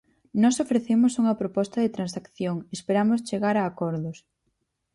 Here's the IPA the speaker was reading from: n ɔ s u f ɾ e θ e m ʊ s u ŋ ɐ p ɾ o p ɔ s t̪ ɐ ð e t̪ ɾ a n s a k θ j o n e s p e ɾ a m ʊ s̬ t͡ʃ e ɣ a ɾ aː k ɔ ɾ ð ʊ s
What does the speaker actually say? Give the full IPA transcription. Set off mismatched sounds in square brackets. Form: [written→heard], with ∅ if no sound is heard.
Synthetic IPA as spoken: n ɔ s [u→o] f ɾ e θ e m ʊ s u ŋ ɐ p ɾ o p ɔ s t̪ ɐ ð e t̪ ɾ a n s a k θ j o [n→ŋ] e s p e ɾ a m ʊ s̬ t͡ʃ e ɣ a ɾ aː k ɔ ɾ ð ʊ s